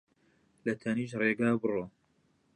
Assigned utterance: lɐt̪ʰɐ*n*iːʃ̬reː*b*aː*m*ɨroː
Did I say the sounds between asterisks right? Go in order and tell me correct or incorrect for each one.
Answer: correct, incorrect, incorrect

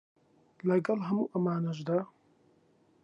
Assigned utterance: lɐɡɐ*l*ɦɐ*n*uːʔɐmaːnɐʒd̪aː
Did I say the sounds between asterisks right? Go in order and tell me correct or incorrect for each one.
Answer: correct, incorrect

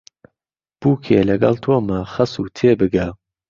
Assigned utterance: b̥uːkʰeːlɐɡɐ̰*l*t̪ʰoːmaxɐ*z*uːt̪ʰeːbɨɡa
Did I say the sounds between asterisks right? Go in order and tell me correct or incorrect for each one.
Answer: correct, incorrect

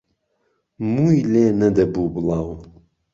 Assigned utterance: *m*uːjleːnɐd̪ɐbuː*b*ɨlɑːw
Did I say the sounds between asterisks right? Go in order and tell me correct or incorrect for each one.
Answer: correct, correct

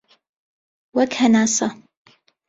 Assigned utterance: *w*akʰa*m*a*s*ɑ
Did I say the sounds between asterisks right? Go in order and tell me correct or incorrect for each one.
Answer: correct, incorrect, correct

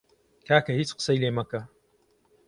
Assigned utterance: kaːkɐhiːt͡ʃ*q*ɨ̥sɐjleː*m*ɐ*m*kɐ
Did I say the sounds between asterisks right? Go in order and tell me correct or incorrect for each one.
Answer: correct, correct, incorrect

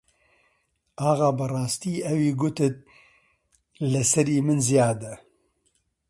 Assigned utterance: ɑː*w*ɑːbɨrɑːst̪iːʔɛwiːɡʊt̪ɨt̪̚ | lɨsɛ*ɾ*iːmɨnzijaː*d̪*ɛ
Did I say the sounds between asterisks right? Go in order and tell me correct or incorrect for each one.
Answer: incorrect, correct, correct

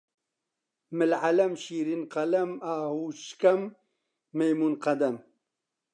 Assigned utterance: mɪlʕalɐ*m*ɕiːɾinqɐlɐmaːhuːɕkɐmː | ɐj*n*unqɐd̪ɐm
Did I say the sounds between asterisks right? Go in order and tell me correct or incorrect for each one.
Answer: correct, incorrect

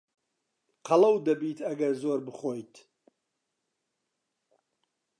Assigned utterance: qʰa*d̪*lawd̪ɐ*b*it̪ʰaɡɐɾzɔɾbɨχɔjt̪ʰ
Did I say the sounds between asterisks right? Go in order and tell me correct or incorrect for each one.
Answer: incorrect, correct

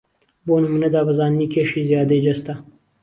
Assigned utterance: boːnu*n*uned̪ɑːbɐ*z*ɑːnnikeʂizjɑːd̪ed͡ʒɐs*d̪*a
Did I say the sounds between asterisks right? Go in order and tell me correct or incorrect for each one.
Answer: incorrect, correct, incorrect

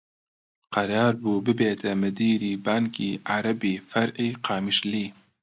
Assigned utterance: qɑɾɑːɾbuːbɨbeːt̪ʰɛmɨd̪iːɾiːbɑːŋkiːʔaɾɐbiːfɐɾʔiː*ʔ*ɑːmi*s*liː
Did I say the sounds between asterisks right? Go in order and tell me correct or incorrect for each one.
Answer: incorrect, incorrect

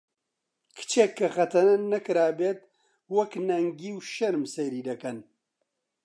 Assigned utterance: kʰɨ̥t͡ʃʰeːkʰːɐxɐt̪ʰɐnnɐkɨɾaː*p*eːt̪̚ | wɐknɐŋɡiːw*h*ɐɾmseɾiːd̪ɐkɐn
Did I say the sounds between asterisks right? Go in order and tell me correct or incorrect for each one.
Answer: incorrect, incorrect

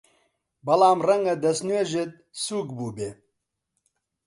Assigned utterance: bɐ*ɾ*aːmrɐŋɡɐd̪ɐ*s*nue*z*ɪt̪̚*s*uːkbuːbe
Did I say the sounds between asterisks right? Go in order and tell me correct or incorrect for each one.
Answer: incorrect, correct, incorrect, correct

